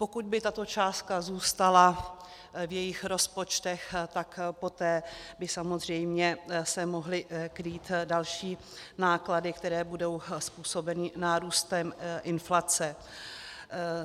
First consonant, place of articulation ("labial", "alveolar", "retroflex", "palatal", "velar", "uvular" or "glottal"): labial